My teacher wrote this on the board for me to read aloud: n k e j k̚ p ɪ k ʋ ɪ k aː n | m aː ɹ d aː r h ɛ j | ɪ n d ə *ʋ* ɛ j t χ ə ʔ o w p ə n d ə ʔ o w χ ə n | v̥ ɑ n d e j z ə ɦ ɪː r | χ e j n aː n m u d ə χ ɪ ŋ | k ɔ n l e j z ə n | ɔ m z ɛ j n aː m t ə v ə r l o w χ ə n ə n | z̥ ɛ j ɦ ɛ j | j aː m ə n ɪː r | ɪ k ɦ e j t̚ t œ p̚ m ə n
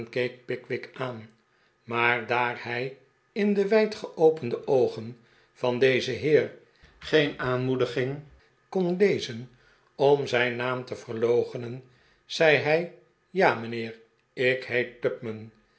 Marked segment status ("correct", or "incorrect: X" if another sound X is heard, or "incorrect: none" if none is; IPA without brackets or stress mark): correct